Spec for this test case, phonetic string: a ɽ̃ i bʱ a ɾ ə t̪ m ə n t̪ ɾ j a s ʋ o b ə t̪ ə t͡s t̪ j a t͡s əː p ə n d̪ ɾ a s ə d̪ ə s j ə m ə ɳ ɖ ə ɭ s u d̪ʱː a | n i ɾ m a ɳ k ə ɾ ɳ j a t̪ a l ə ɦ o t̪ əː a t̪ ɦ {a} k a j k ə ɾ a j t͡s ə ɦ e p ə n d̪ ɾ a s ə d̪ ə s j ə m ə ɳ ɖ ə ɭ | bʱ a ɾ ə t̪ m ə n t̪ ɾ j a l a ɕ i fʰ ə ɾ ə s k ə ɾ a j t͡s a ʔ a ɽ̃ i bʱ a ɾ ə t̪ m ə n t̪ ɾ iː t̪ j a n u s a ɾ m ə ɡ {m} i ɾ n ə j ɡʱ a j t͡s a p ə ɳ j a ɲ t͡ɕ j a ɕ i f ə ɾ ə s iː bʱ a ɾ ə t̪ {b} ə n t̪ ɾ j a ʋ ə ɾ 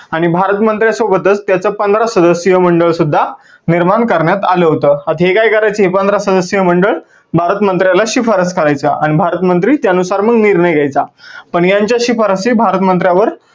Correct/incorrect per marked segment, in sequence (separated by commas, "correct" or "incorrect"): incorrect, incorrect, incorrect